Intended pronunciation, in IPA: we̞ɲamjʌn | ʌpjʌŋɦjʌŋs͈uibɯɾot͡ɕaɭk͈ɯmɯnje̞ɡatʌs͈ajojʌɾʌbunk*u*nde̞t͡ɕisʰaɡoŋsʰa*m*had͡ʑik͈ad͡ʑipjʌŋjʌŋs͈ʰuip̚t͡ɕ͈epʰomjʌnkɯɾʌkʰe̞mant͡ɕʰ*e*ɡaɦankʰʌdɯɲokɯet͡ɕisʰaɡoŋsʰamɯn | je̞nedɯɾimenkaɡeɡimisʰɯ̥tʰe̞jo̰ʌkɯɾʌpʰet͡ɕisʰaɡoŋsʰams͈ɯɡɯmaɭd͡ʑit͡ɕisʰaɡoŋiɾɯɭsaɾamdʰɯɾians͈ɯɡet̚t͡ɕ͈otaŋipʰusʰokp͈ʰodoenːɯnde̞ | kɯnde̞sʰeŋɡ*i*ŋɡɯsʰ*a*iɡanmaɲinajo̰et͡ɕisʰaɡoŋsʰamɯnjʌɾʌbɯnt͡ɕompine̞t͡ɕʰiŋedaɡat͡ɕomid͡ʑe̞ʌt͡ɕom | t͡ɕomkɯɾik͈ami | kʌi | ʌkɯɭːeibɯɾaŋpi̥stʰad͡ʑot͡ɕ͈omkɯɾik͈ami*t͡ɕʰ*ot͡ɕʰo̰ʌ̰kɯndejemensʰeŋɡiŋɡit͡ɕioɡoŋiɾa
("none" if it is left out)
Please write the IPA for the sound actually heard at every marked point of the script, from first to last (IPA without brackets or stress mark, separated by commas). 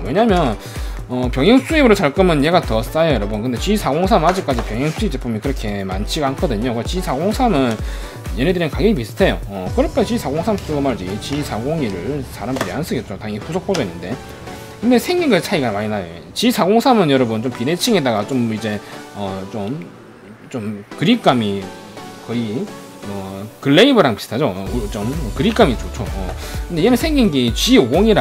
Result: ɯ, m, i, i, a, t͡ɕ